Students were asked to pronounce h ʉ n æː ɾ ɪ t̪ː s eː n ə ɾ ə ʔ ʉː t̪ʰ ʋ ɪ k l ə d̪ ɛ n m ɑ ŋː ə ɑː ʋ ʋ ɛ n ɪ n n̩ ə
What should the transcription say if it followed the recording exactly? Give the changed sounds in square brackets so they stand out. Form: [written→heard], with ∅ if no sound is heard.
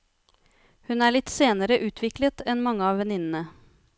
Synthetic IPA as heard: h ʉ n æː [ɾ→ɭ] ɪ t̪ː s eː n ə ɾ ə ʔ ʉː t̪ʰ ʋ ɪ k l ə [d̪→t̪] ɛ n m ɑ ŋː ə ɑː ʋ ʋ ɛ n ɪ n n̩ ə